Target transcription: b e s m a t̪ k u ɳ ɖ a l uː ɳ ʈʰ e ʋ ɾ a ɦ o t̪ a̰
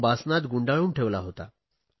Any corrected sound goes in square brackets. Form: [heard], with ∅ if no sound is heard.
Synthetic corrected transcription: b [a] s [n] a t̪ [ɡ] u ɳ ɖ a [ɭ] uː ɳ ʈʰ e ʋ [l] a ɦ o t̪ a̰